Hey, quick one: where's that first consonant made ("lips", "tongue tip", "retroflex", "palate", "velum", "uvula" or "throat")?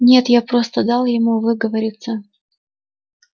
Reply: tongue tip